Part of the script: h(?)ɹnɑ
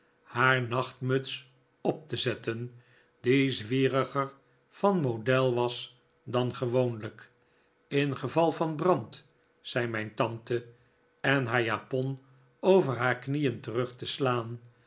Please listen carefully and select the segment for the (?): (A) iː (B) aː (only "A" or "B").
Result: B